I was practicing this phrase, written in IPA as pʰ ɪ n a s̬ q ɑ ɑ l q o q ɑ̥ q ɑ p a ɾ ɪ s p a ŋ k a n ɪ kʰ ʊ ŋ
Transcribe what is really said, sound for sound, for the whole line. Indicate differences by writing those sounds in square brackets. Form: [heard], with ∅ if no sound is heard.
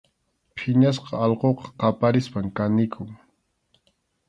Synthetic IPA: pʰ ɪ [ɲ] a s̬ q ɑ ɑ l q o q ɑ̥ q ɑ p a ɾ ɪ s p a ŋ k a n ɪ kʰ ʊ ŋ